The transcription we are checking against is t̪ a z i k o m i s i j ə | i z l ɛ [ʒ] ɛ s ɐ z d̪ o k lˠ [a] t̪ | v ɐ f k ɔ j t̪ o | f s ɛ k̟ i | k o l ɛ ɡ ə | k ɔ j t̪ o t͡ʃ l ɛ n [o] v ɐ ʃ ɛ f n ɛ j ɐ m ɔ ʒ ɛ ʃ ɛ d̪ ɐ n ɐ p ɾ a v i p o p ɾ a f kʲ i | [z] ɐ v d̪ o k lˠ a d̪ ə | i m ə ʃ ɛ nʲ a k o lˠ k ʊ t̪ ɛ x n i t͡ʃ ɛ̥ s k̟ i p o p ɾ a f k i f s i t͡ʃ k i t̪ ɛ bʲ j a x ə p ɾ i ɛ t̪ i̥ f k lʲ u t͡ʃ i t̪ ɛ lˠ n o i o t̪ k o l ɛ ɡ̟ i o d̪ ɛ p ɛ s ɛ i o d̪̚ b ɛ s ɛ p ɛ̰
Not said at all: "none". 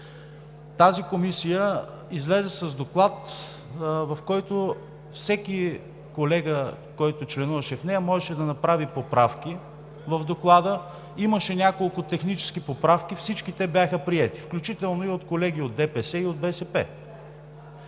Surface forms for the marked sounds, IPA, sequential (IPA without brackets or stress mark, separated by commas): z, a, u, v